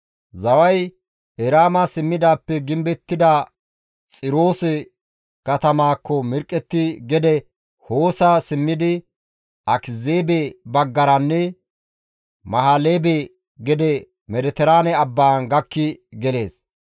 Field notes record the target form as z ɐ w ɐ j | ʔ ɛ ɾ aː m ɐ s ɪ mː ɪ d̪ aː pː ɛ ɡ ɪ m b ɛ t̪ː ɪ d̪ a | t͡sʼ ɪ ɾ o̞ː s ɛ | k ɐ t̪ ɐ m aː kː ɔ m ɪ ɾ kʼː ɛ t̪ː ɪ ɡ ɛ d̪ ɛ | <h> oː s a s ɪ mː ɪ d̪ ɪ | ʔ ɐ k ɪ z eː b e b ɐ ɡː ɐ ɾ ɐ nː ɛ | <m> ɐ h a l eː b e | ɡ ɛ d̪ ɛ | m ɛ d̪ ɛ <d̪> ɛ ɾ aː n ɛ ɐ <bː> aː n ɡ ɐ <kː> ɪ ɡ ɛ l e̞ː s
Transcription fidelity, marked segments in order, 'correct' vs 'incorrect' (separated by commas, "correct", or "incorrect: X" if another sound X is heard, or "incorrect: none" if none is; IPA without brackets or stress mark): correct, correct, incorrect: t̪, correct, correct